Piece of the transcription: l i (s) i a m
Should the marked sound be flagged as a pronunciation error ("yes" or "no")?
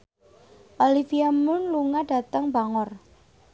yes